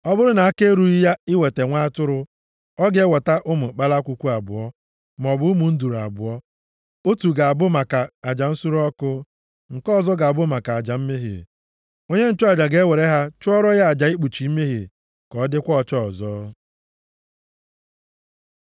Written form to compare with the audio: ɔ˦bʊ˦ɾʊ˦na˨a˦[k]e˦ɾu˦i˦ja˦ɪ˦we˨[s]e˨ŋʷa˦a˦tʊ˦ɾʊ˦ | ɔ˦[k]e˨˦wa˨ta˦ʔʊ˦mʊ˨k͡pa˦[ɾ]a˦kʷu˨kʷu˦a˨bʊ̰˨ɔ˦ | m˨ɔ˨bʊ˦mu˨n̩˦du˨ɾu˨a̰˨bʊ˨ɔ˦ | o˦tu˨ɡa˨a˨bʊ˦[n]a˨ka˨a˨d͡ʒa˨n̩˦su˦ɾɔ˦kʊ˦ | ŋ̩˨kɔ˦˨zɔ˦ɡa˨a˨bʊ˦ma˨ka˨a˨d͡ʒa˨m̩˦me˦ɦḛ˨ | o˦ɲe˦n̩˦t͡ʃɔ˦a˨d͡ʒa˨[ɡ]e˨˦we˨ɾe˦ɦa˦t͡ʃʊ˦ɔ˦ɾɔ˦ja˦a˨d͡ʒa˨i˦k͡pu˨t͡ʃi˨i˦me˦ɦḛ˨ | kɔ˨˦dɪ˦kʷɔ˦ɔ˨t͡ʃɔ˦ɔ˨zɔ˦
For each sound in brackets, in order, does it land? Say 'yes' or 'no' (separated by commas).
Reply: yes, no, no, no, no, yes